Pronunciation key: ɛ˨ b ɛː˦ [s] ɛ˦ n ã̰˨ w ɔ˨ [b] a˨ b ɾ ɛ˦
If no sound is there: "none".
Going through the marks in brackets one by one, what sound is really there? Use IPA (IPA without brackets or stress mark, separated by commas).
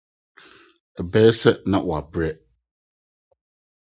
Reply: s, none